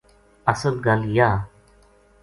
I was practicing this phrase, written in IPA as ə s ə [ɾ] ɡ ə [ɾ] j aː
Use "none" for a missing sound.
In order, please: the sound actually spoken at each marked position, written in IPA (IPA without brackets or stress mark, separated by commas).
l, l